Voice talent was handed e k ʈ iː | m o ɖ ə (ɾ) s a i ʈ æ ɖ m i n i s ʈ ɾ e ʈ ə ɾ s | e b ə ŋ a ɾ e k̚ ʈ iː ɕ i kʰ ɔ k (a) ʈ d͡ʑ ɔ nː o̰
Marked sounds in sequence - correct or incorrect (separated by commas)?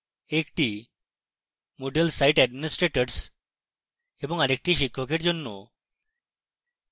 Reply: incorrect, incorrect